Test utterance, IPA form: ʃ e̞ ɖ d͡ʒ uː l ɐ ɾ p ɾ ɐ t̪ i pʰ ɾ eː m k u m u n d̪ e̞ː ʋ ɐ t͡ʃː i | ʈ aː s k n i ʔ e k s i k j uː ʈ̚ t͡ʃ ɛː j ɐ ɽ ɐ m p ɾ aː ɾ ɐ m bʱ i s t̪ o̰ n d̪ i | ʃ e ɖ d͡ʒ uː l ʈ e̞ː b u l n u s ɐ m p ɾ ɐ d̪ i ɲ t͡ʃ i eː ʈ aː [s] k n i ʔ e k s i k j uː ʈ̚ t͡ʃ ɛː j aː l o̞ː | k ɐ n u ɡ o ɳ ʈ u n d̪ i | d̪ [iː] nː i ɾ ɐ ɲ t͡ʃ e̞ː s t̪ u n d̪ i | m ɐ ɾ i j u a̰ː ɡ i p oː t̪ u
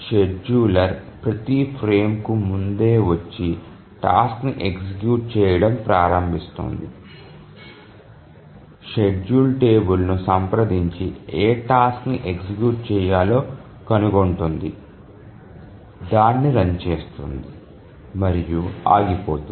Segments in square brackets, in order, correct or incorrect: correct, incorrect

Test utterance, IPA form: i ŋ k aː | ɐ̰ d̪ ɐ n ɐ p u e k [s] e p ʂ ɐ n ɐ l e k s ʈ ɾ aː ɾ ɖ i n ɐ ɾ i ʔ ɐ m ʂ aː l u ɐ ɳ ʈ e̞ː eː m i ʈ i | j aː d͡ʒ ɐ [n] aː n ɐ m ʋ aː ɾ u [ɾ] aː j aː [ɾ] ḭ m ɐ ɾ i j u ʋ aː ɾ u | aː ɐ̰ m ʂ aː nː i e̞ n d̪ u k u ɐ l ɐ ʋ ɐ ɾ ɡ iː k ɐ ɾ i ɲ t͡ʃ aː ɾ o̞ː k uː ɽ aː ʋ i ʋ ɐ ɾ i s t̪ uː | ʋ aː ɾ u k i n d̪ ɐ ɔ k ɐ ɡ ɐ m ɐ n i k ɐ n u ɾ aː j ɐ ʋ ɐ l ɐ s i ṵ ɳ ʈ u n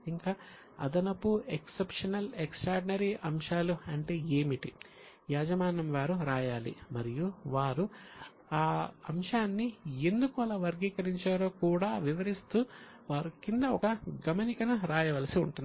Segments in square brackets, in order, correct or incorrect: correct, incorrect, correct, incorrect

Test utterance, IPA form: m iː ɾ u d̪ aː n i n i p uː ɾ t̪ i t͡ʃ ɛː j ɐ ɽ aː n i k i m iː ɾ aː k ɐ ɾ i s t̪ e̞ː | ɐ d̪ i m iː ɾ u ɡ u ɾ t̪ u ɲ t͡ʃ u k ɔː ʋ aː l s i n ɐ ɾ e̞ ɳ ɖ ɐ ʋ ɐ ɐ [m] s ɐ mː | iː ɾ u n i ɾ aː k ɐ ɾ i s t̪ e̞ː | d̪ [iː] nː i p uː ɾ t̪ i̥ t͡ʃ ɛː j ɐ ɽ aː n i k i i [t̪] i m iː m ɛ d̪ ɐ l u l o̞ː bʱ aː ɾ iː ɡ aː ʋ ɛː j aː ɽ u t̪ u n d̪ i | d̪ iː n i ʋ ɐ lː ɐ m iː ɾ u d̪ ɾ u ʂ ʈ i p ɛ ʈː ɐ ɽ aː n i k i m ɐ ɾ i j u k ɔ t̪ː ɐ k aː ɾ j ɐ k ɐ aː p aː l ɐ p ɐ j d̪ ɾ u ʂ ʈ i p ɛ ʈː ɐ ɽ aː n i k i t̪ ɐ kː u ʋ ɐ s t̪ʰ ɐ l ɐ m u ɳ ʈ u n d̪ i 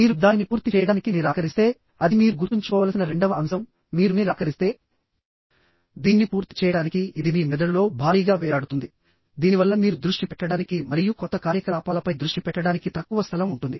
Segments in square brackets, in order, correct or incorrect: correct, correct, incorrect

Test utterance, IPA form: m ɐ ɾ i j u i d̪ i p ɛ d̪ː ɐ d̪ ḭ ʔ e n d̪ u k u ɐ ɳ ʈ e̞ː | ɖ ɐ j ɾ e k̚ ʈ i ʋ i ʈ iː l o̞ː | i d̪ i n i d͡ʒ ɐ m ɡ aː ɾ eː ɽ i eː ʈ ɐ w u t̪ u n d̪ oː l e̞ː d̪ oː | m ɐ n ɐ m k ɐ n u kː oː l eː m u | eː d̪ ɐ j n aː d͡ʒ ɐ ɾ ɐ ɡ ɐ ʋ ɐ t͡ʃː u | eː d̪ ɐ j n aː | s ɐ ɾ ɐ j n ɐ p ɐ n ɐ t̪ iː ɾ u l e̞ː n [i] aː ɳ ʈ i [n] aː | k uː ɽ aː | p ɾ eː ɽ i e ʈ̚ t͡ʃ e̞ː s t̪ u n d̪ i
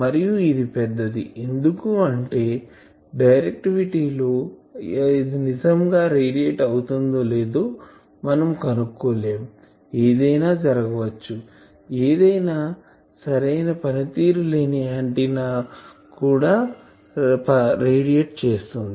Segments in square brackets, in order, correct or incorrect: correct, correct

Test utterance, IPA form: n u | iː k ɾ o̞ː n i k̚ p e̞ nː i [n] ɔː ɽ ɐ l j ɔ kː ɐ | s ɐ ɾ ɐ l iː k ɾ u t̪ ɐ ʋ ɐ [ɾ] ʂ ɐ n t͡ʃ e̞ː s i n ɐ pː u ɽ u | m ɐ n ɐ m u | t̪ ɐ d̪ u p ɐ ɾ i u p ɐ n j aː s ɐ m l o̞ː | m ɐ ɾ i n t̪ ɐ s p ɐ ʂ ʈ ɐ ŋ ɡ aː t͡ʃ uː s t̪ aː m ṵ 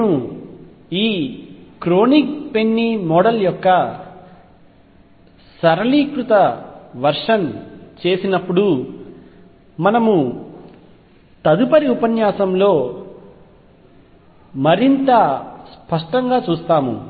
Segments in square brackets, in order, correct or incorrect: incorrect, correct

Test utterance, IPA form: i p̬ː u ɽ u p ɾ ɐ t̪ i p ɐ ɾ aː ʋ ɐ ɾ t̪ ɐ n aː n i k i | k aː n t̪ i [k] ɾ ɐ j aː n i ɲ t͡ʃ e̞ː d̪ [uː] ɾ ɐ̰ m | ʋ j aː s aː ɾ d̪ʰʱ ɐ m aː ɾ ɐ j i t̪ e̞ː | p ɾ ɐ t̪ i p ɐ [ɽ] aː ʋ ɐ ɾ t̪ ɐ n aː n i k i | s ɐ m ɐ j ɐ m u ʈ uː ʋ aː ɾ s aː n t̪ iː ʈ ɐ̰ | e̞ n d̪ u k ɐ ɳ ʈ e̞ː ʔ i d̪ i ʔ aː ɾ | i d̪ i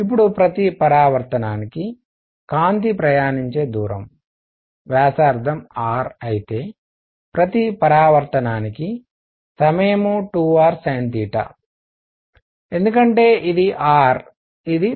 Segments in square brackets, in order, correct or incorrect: incorrect, correct, incorrect

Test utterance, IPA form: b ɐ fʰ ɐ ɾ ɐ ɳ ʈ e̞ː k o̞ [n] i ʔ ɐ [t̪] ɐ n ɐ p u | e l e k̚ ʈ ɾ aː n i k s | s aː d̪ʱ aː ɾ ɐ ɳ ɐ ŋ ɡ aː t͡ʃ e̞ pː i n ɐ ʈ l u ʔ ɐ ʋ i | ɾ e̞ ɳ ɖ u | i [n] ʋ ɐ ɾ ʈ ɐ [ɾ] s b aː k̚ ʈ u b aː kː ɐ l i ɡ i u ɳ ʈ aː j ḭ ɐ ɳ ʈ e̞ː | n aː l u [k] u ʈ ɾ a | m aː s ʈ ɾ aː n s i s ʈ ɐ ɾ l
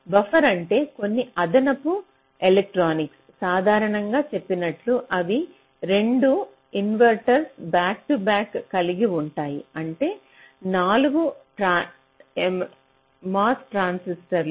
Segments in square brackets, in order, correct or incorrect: incorrect, incorrect, correct, correct, incorrect

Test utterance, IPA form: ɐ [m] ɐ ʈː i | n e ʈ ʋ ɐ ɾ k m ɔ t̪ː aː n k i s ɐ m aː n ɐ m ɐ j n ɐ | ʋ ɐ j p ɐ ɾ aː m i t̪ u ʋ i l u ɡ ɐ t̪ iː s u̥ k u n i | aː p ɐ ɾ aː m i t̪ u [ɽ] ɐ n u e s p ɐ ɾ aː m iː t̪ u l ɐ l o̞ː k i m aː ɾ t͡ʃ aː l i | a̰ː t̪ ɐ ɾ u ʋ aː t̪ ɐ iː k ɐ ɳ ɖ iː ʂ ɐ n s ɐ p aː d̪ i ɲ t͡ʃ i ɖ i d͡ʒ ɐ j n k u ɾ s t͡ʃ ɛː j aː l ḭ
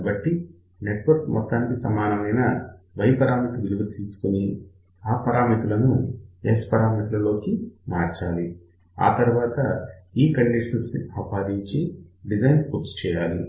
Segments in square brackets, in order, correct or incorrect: incorrect, incorrect

